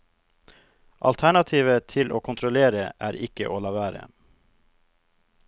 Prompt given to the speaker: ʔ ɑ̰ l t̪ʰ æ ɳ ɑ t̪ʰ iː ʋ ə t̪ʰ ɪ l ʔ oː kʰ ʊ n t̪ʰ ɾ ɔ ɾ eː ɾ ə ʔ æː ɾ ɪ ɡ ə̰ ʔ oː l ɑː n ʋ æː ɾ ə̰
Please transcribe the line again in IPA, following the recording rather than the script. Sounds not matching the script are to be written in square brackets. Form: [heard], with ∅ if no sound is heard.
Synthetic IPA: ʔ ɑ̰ l t̪ʰ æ ɳ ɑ t̪ʰ iː ʋ ə t̪ʰ ɪ l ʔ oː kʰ ʊ n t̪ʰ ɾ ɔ [l] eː ɾ ə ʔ æː ɾ ɪ [k] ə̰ ʔ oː l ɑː [∅] ʋ æː ɾ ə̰